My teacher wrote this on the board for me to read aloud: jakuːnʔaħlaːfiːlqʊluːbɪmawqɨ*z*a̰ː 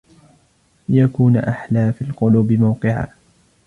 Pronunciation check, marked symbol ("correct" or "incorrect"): incorrect